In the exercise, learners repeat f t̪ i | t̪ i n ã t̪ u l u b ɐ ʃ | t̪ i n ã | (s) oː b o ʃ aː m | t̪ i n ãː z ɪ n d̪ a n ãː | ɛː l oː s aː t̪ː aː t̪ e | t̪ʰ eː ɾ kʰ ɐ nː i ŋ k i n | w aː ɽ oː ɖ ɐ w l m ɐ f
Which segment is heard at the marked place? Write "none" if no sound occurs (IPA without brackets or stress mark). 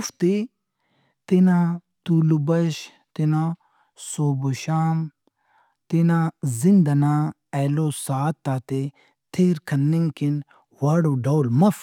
s